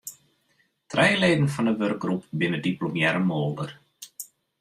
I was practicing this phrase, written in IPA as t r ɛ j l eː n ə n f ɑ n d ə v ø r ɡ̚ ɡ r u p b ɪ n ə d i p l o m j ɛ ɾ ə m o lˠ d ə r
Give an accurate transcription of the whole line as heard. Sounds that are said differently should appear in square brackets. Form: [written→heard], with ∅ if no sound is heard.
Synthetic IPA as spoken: t r ɛ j l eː [n→d] ə n f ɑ n d ə [v→ʋ] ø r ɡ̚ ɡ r u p b ɪ n ə d i p l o m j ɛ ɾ ə m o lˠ d ə r